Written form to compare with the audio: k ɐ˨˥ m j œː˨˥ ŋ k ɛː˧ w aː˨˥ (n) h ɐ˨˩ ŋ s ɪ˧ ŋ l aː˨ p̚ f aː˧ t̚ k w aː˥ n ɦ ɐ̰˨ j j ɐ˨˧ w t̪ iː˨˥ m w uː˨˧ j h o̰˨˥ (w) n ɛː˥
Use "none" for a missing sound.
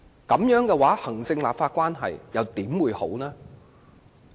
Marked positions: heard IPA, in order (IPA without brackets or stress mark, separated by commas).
none, w